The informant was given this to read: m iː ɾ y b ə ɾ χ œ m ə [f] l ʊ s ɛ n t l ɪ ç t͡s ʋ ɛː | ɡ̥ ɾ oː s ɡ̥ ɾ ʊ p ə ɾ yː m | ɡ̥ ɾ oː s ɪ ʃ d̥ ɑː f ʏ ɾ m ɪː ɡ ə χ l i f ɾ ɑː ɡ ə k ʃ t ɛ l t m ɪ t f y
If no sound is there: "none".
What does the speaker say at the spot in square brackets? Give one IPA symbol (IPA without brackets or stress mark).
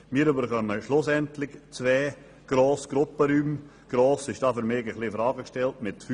ʃ